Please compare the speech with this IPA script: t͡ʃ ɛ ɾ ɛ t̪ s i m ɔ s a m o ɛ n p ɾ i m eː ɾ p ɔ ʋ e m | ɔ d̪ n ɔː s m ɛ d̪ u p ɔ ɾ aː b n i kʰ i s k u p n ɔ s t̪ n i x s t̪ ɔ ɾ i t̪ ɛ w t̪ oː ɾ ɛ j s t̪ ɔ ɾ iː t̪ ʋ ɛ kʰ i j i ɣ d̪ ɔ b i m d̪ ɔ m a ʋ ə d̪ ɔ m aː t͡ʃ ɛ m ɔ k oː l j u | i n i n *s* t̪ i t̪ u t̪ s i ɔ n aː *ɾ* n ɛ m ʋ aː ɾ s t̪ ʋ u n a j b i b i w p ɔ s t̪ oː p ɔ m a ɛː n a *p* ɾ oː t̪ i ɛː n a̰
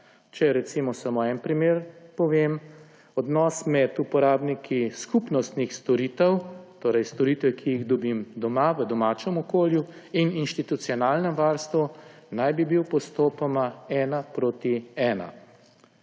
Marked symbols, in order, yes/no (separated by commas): no, no, yes